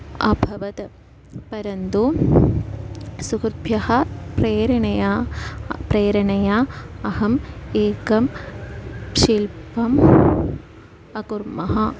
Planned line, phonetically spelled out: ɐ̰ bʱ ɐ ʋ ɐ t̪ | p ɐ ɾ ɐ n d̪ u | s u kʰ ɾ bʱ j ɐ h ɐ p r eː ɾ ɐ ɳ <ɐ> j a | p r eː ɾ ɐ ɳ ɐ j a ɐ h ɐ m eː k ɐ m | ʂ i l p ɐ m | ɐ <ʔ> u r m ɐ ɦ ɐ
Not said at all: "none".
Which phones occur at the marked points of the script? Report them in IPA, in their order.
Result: ɐ, k

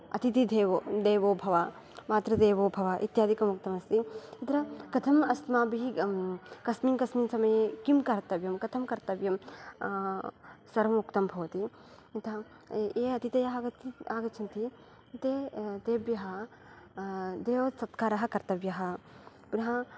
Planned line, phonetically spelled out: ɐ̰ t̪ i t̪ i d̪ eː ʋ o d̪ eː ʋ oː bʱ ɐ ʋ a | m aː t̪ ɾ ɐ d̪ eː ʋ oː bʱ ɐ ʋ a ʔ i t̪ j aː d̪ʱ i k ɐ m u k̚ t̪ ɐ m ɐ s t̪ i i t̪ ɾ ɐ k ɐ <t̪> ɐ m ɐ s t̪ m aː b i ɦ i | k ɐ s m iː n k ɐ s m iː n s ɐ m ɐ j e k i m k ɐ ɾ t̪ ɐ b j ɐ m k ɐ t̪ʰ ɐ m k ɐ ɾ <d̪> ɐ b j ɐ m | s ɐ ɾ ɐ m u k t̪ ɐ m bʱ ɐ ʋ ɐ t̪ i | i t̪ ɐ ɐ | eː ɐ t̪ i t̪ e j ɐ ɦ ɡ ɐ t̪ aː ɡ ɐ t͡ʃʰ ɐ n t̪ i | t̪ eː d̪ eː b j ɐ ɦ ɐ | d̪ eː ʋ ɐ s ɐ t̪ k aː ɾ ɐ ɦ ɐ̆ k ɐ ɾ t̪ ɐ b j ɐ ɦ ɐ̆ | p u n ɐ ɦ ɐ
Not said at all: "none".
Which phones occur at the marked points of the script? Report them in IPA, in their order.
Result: t̪ʰ, t̪

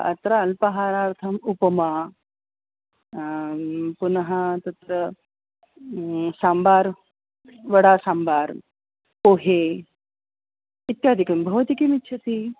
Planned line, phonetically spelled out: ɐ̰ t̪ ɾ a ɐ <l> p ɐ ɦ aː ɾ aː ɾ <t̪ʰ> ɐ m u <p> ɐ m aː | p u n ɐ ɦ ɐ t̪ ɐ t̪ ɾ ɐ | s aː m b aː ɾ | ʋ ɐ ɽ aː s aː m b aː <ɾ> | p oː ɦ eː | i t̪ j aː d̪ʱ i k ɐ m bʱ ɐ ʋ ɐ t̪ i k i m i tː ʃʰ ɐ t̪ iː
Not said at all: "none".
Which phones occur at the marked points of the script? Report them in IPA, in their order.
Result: l, t̪ʰ, p, ɾ

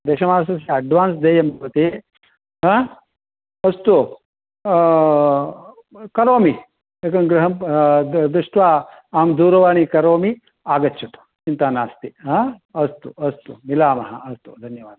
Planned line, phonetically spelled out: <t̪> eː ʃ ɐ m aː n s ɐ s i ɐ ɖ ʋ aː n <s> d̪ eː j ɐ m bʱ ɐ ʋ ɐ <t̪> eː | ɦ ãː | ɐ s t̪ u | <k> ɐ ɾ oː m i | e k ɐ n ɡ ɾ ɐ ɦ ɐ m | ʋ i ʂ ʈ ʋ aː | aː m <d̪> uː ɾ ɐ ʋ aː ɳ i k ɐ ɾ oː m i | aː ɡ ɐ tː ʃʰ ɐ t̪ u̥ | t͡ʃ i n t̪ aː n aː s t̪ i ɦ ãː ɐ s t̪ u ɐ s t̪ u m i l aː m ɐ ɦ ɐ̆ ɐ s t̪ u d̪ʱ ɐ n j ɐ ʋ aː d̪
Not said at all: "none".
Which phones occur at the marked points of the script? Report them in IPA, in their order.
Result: d̪, s, t̪, k, d̪

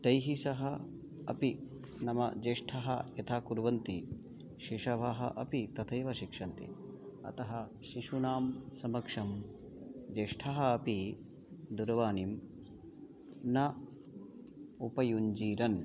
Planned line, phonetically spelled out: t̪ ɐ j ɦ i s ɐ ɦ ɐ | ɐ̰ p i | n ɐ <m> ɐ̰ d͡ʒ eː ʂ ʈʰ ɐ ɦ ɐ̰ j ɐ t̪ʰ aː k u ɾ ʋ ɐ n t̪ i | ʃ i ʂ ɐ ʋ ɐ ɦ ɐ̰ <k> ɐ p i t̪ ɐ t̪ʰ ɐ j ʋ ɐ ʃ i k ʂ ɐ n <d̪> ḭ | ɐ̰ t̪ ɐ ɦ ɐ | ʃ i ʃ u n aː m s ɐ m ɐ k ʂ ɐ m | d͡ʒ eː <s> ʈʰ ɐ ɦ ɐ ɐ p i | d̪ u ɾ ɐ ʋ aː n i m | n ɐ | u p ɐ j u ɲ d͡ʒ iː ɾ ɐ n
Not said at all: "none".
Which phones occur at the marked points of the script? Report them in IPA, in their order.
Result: m, ʔ, t̪, ʂ

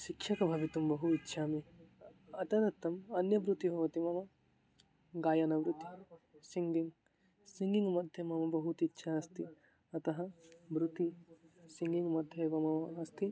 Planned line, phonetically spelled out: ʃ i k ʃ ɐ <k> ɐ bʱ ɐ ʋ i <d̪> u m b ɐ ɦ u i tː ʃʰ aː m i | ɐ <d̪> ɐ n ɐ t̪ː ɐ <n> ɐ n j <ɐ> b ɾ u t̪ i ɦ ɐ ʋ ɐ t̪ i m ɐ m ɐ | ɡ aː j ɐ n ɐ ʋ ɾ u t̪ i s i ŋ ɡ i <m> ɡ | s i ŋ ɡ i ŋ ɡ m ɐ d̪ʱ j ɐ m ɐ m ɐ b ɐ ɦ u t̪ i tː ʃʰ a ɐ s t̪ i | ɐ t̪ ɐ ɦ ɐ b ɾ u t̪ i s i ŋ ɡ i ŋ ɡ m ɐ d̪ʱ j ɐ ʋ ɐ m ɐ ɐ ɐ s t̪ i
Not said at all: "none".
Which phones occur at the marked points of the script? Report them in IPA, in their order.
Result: k, t̪, t̪, m, ɐ, ŋ

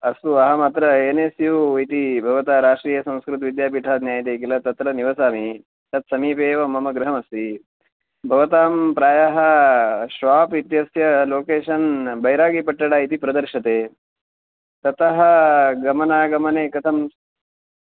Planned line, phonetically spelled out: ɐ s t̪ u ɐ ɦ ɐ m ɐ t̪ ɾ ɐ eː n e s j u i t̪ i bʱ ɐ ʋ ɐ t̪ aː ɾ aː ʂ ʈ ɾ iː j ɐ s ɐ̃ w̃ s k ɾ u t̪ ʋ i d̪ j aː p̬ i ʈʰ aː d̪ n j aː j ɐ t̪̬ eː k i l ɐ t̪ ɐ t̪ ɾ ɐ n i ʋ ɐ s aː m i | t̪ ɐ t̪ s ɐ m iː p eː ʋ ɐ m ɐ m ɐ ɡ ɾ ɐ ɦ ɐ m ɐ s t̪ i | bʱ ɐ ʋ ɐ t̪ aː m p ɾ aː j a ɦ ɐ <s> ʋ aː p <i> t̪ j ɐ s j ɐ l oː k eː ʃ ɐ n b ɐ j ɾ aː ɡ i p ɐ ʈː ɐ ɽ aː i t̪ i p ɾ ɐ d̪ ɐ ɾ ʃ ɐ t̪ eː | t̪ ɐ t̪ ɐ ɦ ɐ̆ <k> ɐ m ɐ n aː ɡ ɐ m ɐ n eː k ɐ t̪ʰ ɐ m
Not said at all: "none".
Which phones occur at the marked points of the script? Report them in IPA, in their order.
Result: ʃ, i, ɡ

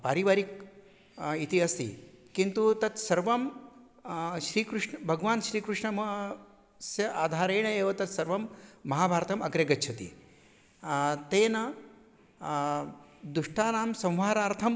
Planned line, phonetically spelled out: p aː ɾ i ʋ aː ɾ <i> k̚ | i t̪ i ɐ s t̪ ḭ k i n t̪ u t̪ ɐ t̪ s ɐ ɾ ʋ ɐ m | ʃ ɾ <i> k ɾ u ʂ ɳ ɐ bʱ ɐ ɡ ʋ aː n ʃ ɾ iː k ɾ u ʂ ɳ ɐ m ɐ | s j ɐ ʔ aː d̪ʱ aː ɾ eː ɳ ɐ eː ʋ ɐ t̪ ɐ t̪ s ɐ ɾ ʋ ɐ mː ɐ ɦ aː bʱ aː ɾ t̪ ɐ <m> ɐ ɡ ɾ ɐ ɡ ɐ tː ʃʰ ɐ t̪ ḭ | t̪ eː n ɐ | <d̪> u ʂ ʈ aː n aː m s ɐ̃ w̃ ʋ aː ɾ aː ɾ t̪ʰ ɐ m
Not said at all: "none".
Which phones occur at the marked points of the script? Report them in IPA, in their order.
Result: i, iː, m, d̪

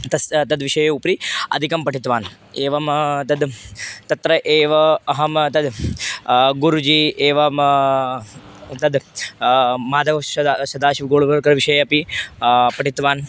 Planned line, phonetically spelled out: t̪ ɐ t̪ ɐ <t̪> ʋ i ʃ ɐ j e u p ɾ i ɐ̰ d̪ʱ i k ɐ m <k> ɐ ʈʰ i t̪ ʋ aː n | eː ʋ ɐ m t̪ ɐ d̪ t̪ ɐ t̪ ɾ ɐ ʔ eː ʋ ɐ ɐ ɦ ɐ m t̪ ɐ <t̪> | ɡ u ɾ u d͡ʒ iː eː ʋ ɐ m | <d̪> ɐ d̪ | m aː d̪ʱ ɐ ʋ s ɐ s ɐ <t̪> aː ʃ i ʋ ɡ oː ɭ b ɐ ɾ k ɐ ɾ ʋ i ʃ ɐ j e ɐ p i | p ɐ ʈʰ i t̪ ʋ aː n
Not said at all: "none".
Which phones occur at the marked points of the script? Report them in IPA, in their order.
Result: d̪, p, d̪, t̪, d̪

